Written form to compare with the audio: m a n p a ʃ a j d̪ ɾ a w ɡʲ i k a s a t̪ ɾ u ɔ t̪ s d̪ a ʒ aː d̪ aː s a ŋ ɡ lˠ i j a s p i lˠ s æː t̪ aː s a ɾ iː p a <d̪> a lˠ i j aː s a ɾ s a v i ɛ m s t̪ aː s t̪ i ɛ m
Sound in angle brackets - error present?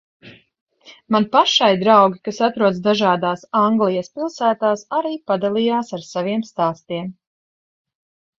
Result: no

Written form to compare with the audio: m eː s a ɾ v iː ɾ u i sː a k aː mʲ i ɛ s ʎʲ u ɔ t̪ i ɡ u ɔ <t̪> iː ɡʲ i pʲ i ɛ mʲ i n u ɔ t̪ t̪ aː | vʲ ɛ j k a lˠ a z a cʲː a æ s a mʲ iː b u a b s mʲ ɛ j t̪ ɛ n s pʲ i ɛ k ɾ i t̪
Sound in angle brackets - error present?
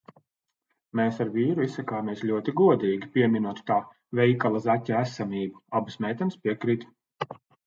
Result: yes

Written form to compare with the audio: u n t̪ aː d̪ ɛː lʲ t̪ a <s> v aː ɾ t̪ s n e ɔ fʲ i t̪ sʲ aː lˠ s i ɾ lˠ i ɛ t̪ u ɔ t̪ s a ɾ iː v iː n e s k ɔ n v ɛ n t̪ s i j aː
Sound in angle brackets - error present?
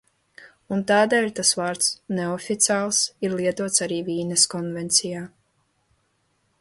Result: no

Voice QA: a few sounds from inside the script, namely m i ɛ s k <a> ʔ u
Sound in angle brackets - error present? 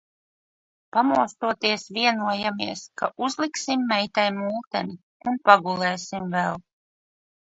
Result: no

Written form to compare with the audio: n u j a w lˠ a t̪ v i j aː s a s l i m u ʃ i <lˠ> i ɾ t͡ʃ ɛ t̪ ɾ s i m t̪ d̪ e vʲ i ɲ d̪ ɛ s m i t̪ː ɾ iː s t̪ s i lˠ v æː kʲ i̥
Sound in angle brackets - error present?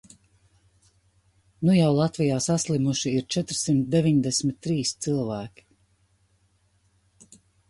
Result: yes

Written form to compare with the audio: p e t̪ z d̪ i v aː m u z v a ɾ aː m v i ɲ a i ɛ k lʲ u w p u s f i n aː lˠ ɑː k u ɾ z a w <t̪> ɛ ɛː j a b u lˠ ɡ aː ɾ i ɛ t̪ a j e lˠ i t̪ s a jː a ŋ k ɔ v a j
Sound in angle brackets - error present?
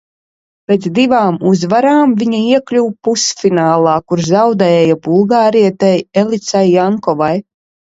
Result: yes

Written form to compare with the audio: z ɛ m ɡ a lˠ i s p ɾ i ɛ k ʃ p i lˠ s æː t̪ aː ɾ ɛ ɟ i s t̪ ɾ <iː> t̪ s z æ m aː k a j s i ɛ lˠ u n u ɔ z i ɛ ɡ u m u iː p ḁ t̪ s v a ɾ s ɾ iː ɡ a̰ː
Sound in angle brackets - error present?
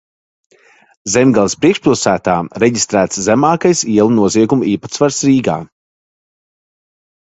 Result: yes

